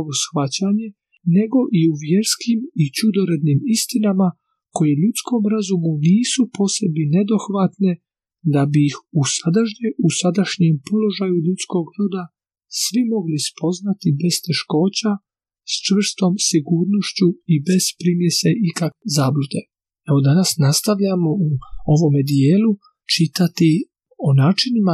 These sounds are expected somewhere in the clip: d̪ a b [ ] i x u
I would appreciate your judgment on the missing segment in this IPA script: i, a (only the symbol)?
i